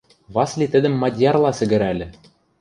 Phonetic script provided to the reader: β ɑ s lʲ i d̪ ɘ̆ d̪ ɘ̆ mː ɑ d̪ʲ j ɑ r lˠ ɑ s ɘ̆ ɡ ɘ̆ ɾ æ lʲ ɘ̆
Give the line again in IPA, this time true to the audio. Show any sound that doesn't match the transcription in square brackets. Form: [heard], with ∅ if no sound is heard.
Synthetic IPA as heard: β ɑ s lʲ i [t̪] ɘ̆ d̪ ɘ̆ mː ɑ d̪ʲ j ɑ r lˠ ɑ s ɘ̆ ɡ ɘ̆ ɾ æ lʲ ɘ̆